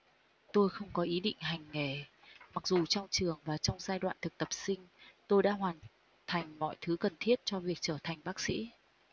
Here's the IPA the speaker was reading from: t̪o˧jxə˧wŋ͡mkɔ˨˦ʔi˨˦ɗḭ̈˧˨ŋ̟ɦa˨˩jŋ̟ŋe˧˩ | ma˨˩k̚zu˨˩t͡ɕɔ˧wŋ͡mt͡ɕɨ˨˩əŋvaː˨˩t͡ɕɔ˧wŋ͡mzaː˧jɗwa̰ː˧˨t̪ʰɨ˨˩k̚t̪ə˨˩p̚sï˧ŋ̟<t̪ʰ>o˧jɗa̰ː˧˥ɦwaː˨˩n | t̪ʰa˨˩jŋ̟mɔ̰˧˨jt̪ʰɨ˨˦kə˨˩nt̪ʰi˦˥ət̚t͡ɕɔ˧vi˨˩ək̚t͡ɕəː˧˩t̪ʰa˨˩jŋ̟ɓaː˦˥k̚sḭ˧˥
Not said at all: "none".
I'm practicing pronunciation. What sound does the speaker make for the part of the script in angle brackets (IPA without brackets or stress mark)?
t̪